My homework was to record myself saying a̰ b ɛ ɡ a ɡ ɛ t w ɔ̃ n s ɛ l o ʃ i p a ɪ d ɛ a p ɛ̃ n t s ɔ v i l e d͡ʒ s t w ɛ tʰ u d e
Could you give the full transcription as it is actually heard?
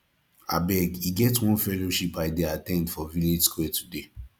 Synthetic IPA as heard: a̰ b ɛ ɡ i ɡ ɛ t w ɔ̃ n f ɛ l o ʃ i p a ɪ d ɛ a t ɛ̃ n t f ɔ v i l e d͡ʒ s k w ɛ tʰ u d e